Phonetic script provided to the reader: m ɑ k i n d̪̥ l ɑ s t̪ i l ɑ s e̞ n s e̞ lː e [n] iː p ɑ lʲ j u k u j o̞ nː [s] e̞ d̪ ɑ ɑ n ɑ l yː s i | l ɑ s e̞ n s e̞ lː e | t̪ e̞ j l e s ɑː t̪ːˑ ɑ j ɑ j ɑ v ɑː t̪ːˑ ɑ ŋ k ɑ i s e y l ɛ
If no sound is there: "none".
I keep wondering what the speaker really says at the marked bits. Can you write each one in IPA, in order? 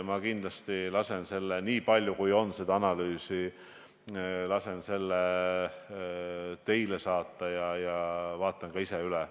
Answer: n, s

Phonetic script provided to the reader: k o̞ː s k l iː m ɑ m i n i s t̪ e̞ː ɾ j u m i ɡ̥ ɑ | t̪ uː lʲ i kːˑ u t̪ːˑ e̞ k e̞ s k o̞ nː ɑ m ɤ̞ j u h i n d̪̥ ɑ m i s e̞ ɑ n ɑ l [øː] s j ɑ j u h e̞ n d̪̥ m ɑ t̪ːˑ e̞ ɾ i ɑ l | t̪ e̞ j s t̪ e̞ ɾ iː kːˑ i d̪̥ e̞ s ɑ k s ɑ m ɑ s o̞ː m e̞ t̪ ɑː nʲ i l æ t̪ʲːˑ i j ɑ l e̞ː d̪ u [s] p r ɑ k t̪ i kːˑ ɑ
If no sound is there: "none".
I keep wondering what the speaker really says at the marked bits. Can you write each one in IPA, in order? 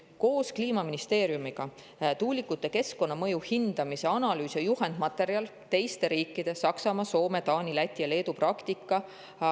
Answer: yː, none

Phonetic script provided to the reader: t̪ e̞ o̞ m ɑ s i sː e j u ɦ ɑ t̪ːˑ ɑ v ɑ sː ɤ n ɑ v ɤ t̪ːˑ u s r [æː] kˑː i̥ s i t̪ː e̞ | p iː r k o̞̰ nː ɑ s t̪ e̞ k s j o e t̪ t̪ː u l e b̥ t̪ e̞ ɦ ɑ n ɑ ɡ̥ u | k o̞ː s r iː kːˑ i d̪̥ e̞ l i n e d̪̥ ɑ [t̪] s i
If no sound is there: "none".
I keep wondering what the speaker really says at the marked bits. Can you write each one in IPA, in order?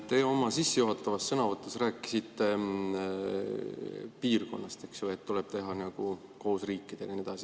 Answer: æː, none

